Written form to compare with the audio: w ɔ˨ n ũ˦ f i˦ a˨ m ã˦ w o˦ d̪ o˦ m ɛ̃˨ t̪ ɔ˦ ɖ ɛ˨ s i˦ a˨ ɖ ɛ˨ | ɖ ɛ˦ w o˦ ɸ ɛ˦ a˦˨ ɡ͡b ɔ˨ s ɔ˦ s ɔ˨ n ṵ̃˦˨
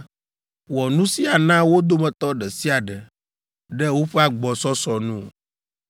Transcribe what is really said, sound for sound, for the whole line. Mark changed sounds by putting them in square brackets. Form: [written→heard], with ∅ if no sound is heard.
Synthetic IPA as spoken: w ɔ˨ n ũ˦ [f→s] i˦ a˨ [m→n] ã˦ w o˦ d̪ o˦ m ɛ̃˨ t̪ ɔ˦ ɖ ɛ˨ s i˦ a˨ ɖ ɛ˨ | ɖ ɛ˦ w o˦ ɸ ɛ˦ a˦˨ ɡ͡b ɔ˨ s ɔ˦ s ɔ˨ n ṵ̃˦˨